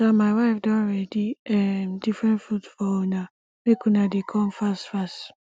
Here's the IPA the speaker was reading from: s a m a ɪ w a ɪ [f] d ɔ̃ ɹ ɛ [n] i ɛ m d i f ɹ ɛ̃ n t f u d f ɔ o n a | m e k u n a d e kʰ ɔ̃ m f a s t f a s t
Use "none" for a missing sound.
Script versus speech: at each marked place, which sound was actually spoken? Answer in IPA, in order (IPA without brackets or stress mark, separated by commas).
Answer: f, d